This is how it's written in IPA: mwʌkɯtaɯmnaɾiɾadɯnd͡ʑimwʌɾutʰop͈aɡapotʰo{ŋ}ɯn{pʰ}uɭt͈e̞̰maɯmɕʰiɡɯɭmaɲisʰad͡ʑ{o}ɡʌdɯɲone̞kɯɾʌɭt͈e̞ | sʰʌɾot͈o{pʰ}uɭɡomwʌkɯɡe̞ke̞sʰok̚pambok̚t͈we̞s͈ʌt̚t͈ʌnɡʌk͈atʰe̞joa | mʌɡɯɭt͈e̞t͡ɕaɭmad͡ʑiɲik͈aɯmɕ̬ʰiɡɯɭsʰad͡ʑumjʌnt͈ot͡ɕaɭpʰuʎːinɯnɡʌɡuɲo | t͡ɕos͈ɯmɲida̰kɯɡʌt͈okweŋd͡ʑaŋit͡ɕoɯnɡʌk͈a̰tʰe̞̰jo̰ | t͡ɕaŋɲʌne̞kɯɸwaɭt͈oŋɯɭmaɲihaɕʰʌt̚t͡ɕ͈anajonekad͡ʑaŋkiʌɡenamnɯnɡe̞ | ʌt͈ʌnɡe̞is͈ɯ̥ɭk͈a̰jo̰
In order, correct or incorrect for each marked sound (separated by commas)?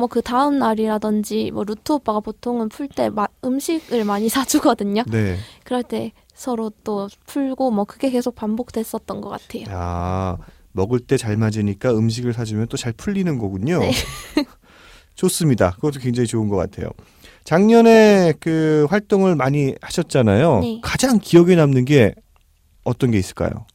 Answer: correct, correct, incorrect, correct